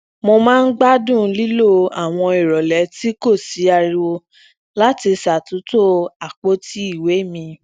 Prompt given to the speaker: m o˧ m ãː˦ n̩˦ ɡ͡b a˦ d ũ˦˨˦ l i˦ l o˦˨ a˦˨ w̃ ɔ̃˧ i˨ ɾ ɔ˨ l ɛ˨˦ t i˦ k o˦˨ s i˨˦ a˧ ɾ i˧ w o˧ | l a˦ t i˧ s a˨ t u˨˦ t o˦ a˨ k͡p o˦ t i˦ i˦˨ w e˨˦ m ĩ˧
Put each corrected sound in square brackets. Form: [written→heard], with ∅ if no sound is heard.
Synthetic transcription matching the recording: m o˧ m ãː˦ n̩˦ ɡ͡b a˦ d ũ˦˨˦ l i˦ l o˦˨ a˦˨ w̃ ɔ̃˧ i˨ ɾ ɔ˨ l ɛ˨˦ t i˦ k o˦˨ s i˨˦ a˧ ɾ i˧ w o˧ | l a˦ t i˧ s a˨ t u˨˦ t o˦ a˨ k͡p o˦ t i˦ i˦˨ w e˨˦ m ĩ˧

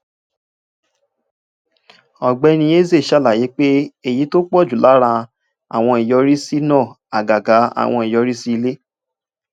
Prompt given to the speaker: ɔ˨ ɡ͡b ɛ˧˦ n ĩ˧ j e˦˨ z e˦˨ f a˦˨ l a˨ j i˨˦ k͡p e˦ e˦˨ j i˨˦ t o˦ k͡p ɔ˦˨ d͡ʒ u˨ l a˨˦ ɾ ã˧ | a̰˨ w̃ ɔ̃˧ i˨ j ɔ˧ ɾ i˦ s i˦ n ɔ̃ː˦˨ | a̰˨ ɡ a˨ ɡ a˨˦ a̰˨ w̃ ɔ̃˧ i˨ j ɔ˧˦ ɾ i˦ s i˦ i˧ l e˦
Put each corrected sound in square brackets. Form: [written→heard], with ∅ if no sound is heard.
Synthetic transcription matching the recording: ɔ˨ ɡ͡b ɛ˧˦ n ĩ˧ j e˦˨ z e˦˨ [f→ʃ] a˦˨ l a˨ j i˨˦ k͡p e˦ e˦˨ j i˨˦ t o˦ k͡p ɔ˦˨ d͡ʒ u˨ l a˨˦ ɾ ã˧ | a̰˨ w̃ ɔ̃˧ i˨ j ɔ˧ ɾ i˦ s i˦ n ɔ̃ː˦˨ | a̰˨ ɡ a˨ ɡ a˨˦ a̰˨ w̃ ɔ̃˧ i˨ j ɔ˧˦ ɾ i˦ s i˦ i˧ l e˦

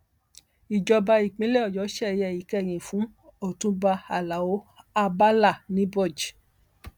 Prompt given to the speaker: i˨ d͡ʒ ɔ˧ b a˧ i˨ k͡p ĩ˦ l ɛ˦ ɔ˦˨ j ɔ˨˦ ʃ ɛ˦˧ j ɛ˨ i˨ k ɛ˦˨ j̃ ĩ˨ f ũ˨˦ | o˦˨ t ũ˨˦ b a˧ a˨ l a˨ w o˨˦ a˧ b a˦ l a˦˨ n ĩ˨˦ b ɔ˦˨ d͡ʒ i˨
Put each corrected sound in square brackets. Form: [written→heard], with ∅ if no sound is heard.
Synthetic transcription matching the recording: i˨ d͡ʒ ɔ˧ b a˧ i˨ k͡p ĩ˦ l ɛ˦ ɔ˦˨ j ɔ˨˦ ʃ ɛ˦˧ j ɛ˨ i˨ k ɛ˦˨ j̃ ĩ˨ f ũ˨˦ | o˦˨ t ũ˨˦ b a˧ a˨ l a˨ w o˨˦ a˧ b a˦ l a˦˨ n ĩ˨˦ b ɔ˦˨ d͡ʒ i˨

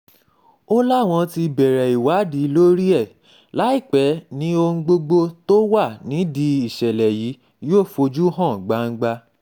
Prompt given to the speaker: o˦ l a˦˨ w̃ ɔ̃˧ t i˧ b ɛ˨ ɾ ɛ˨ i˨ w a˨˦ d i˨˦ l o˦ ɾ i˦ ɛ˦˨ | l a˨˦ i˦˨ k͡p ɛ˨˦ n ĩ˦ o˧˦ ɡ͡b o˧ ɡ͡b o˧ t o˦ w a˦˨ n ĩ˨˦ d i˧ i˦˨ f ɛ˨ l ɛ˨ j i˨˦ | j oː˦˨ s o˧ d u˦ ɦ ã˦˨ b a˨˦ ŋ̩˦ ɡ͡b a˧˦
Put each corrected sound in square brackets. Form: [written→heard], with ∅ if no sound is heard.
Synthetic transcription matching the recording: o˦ l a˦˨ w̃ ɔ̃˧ t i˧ b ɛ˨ ɾ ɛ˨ i˨ w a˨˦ d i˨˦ l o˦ ɾ i˦ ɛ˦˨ | l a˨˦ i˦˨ k͡p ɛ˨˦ n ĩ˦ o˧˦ ɡ͡b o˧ ɡ͡b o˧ t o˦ w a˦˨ n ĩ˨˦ d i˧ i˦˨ [f→ʃ] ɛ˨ l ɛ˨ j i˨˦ | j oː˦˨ [s→f] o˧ [d→d͡ʒ] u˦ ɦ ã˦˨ [b→ɡ͡b] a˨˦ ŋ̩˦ ɡ͡b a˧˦

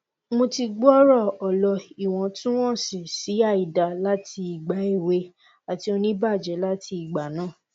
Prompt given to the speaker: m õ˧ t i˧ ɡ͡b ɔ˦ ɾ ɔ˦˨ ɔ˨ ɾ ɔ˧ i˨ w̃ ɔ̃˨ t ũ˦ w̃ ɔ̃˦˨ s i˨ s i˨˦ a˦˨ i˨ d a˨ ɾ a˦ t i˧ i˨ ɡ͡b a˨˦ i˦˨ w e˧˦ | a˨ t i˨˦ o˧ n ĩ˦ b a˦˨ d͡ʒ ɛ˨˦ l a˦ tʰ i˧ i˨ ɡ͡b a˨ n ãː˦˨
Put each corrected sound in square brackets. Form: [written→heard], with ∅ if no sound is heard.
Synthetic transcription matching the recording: m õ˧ t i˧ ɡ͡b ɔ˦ ɾ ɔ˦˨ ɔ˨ [ɾ→l] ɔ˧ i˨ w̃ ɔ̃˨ t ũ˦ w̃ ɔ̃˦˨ s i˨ s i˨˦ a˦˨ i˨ d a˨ [ɾ→l] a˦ t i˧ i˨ ɡ͡b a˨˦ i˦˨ w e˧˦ | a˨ t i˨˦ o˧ n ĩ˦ b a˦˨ d͡ʒ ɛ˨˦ l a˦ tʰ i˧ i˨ ɡ͡b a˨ n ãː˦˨

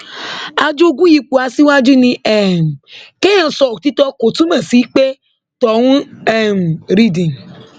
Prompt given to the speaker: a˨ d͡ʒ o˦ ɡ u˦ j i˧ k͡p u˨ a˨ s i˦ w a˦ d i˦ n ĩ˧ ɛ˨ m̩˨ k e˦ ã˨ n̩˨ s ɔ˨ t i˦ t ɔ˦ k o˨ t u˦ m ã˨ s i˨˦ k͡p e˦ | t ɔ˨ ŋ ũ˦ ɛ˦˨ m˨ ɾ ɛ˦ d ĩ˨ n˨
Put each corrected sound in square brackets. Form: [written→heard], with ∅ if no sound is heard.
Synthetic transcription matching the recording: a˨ d͡ʒ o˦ ɡ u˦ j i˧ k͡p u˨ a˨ s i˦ w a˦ [d→d͡ʒ] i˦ n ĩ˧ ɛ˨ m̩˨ k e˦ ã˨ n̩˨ s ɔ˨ t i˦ t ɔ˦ k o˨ t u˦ m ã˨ s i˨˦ k͡p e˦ | t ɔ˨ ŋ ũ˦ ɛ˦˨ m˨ ɾ [ɛ˦→i˦] d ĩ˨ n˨

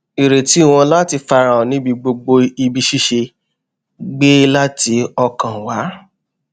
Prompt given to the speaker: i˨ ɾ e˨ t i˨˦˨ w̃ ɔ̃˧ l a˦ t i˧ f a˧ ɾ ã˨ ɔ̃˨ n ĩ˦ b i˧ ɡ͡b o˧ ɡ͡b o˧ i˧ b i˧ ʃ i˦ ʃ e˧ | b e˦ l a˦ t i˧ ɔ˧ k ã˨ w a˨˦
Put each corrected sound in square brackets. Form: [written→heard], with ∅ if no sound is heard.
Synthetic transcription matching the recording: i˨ ɾ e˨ t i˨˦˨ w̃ ɔ̃˧ l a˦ t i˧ f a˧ ɾ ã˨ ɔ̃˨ n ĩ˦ b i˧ ɡ͡b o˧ ɡ͡b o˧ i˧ b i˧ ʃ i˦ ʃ e˧ | [b→ɡ͡b] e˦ l a˦ t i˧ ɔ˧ k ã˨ w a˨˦

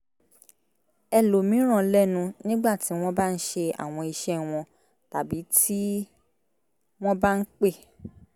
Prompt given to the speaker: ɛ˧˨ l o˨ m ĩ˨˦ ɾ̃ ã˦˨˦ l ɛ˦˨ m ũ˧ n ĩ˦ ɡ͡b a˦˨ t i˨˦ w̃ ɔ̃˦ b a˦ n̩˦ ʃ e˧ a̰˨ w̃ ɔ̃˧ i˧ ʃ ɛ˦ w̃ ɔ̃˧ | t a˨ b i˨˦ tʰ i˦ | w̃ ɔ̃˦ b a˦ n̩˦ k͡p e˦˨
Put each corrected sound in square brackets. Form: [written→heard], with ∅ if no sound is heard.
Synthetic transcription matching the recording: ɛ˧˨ l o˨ m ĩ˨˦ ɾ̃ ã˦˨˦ l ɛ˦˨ [m→n] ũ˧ n ĩ˦ ɡ͡b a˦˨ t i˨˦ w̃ ɔ̃˦ b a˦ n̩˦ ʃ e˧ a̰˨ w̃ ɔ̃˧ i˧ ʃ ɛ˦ w̃ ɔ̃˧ | t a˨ b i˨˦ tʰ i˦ | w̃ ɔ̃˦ b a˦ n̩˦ k͡p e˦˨

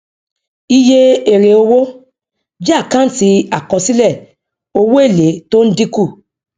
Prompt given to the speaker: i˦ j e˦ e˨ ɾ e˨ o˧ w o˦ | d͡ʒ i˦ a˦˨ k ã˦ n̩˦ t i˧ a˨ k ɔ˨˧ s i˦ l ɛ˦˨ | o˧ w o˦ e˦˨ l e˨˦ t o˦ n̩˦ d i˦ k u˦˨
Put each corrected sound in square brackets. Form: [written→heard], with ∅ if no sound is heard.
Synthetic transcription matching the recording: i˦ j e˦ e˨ ɾ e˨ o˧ w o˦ | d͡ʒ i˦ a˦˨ k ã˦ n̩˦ t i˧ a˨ k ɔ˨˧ s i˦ l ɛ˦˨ | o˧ w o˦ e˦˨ l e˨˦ t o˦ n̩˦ d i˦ k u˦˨

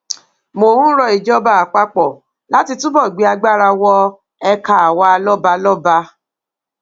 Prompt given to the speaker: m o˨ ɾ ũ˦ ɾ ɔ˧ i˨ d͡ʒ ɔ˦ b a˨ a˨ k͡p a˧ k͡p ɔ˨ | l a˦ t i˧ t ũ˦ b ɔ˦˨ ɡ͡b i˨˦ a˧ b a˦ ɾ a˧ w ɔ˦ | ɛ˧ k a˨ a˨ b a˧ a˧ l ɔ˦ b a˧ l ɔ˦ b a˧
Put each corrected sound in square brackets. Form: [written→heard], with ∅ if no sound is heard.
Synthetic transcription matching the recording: m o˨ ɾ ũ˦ ɾ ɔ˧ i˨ d͡ʒ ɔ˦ b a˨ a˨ k͡p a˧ k͡p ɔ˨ | l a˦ t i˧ t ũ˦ b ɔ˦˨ ɡ͡b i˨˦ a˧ [b→ɡ͡b] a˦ ɾ a˧ w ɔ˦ | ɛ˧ k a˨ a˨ [b→w] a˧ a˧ l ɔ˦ b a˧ l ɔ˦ b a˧

